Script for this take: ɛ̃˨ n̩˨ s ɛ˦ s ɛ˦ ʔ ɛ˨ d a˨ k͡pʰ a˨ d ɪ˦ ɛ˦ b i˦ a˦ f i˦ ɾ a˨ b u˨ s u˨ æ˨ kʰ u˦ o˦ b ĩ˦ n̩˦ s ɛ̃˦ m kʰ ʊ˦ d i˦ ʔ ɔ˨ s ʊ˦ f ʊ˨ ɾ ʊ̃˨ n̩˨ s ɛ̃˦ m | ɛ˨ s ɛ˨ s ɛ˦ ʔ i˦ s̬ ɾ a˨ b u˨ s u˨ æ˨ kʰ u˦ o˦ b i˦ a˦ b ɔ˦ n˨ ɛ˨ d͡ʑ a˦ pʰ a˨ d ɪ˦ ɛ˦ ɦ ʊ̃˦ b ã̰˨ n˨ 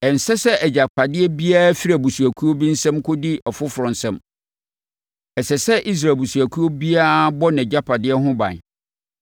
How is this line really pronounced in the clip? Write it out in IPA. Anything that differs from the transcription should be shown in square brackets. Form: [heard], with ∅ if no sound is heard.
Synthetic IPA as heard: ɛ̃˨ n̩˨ s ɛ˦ s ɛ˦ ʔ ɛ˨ [d͡ʑ] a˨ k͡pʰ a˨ d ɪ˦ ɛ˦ b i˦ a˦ f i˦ ɾ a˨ b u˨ s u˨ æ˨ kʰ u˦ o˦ b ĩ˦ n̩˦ s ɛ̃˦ m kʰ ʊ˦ d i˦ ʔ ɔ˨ [f] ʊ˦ f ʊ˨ ɾ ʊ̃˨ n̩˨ s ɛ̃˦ m | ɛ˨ s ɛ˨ s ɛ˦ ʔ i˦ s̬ ɾ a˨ b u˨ s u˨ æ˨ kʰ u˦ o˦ b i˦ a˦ b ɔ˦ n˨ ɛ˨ d͡ʑ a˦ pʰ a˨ d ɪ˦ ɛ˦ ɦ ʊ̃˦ b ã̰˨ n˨